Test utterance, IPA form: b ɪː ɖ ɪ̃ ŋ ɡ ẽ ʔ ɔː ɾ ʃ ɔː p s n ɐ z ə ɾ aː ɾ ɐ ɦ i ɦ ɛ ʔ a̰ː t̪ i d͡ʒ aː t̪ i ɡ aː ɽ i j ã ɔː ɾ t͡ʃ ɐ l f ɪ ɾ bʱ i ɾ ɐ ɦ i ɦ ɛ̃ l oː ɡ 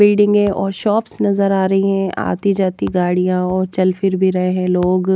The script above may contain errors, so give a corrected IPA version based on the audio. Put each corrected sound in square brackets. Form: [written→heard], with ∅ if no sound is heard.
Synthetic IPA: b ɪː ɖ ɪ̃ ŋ ɡ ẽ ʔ ɔː ɾ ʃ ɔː p s n ɐ z ə ɾ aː ɾ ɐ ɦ i ɦ [ɛ→ɛ̃] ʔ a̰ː t̪ i d͡ʒ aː t̪ i ɡ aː ɽ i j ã ɔː ɾ t͡ʃ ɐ l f ɪ ɾ bʱ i ɾ ɐ ɦ [i→e] ɦ ɛ̃ l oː ɡ